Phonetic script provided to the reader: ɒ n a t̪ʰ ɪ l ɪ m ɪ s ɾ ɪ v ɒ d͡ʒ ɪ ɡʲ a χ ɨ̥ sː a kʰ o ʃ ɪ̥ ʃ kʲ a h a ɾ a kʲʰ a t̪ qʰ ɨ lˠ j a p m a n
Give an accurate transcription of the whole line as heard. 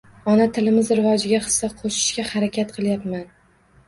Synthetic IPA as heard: ɒ n a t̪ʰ ɪ l ɪ m ɪ z ɾ ɪ v ɒ d͡ʒ ɪ ɡʲ a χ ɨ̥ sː a qʰ o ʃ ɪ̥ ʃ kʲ a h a ɾ a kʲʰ a t̪ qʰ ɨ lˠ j a p m a n